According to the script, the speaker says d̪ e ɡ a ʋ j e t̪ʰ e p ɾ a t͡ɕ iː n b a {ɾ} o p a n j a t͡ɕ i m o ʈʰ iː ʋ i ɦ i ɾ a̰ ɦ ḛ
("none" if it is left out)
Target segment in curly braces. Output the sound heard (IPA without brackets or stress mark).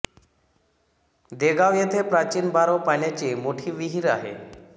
ɾ